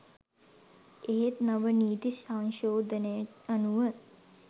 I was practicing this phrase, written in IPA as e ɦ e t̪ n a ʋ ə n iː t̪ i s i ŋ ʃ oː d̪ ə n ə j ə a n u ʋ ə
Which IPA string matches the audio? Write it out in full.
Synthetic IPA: e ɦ e t̪ n a ʋ ə n iː t̪ i s a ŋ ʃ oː d̪ ə n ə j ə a n u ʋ ə